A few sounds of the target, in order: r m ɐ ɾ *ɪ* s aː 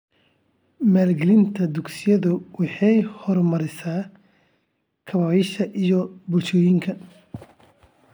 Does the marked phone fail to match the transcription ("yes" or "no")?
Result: no